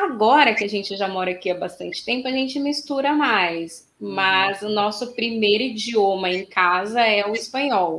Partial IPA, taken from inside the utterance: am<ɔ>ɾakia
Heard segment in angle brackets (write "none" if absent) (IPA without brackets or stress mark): ɔ